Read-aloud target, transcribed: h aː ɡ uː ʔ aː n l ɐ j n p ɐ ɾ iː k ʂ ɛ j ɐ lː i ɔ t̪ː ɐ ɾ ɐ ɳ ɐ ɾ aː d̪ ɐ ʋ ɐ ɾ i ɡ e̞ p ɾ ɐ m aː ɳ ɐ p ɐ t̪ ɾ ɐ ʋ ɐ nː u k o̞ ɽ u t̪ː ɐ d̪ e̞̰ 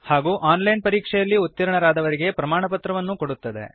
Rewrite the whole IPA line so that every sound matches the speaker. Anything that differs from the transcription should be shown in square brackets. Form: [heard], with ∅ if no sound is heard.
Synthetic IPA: h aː ɡ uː ʔ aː n l ɐ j n p ɐ ɾ iː k ʂ ɛ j ɐ lː i [u] t̪ː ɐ ɾ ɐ ɳ ɐ ɾ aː d̪ ɐ ʋ ɐ ɾ i ɡ e̞ p ɾ ɐ m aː ɳ ɐ p ɐ t̪ ɾ ɐ ʋ ɐ nː u k o̞ ɽ u t̪ː ɐ d̪ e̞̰